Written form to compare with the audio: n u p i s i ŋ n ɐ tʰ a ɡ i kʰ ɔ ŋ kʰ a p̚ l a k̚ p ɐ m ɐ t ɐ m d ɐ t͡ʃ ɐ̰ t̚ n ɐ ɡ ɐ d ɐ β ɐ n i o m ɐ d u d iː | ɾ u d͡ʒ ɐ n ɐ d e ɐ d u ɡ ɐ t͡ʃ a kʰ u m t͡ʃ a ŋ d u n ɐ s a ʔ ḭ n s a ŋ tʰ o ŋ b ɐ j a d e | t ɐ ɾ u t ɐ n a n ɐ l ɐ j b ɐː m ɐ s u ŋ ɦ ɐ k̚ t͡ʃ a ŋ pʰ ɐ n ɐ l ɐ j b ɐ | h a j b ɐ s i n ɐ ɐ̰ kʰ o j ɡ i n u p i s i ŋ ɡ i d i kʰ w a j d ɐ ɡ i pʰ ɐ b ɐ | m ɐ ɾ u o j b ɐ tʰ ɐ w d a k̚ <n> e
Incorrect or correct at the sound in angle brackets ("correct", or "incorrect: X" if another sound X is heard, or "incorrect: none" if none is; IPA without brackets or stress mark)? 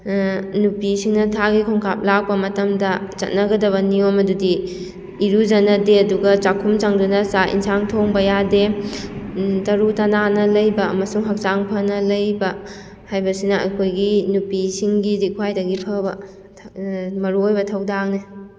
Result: correct